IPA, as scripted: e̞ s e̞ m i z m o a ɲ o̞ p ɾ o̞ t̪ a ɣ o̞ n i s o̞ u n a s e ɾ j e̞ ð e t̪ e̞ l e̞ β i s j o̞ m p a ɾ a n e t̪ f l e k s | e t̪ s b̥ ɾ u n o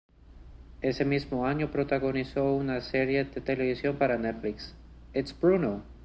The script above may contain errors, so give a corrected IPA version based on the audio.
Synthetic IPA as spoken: e̞ s e̞ m i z m o a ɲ o̞ p ɾ o̞ t̪ a ɣ o̞ n i s o̞ u n a s e ɾ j e̞ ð e t̪ e̞ l e̞ β i s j o̞ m p a ɾ a n e t̪ f l i k s | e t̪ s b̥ ɾ u n o